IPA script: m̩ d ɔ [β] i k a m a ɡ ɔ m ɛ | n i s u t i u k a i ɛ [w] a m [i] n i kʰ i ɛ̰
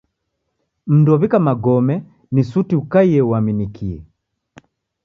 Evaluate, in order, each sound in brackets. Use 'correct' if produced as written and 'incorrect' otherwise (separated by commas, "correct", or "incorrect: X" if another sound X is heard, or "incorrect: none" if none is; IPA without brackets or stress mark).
correct, correct, correct